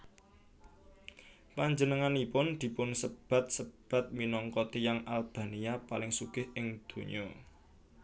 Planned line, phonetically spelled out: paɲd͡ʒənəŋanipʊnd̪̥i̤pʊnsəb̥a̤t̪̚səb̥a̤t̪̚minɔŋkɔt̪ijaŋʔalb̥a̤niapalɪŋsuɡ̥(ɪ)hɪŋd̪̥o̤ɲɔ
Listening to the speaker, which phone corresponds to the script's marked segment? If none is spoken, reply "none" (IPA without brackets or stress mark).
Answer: ɪ